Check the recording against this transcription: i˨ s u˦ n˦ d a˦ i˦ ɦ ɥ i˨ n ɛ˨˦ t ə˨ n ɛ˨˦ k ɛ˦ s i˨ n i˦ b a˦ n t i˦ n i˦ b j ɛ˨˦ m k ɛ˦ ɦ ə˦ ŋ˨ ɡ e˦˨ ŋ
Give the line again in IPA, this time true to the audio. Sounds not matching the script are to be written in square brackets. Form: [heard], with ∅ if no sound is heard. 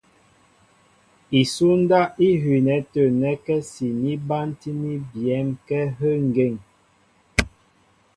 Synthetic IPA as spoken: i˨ s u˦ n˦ d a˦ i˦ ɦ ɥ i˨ n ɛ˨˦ t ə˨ n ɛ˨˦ k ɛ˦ s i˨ n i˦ b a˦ n t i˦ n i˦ b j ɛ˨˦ m k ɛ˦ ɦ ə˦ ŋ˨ ɡ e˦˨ ŋ